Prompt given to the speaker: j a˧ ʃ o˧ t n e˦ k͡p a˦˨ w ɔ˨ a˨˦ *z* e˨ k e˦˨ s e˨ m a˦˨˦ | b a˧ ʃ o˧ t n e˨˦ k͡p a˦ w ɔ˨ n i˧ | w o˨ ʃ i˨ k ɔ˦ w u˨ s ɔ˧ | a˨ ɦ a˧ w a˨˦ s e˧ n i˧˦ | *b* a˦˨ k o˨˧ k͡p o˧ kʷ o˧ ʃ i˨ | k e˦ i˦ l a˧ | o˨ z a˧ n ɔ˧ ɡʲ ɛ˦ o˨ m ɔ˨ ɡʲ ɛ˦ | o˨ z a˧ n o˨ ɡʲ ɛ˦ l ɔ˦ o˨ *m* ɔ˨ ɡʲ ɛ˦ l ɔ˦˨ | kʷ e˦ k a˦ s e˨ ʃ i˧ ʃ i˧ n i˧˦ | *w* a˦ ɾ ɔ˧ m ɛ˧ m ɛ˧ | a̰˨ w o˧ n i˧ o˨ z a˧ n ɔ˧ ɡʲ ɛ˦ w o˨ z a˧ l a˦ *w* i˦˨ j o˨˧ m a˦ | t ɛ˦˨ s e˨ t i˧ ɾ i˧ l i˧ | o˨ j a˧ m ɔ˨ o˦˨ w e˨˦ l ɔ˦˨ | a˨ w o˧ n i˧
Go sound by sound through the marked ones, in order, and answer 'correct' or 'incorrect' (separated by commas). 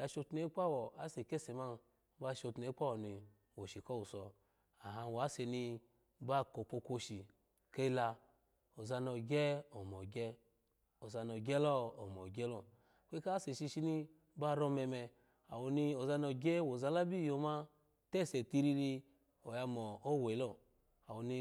incorrect, correct, correct, incorrect, incorrect